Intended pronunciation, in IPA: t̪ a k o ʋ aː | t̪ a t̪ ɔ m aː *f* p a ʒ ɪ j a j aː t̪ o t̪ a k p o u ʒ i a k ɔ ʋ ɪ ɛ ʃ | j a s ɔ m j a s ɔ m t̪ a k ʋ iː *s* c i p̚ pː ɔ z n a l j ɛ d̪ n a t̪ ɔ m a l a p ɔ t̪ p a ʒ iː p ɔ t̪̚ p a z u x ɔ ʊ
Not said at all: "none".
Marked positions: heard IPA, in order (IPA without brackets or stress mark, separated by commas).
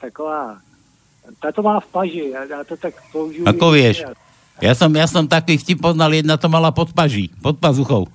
f, f